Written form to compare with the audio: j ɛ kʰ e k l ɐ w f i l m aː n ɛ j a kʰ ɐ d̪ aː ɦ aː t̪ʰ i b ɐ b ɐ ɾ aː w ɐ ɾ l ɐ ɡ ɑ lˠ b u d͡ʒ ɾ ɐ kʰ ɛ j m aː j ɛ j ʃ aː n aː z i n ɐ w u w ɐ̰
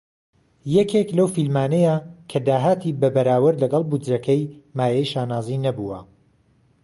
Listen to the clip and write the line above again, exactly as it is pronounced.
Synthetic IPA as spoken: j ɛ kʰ e k l ɐ w f i l m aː n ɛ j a kʰ ɐ d̪ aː ɦ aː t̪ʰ i b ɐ b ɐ ɾ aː w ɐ ɾ l ɐ ɡ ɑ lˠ b u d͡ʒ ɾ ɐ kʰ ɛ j m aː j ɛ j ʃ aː n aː z i n ɐ b u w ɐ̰